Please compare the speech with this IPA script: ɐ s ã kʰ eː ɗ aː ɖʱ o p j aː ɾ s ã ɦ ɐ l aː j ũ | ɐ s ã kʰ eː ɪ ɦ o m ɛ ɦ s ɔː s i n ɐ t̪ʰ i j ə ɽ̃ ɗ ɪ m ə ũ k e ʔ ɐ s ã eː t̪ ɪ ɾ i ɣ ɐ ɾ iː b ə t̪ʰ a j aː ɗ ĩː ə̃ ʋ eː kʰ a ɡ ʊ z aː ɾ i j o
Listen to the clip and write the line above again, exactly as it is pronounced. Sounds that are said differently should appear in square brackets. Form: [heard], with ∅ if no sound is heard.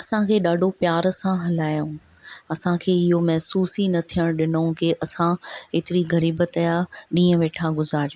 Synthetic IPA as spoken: ɐ s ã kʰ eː ɗ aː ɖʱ o p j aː ɾ s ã ɦ ɐ l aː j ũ | ɐ s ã kʰ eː ɪ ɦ o m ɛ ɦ s [uː] s i n ɐ t̪ʰ i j ə ɽ̃ ɗ ɪ [n] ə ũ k e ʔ ɐ s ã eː t̪ ɪ ɾ i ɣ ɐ ɾ iː b ə [t̪] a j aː ɗ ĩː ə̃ ʋ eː [ʈʰ] a ɡ ʊ z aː ɾ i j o